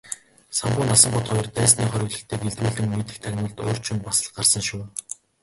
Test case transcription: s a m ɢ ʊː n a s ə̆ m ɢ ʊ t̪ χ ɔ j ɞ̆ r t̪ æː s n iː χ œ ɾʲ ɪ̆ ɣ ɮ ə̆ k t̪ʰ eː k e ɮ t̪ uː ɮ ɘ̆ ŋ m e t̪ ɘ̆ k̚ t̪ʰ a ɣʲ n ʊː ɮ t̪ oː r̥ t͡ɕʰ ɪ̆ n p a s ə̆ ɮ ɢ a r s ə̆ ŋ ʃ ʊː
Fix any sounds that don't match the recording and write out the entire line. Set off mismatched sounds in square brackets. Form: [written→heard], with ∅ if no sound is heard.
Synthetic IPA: s a m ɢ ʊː n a s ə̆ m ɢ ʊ t̪ χ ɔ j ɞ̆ r t̪ æː s n iː χ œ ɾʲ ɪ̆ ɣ ɮ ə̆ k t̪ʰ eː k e ɮ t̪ uː ɮ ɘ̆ ŋ m e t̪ ɘ̆ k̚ t̪ʰ a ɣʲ n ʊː ɮ t̪ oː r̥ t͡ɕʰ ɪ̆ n p a s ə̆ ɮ ɢ a r s ə̆ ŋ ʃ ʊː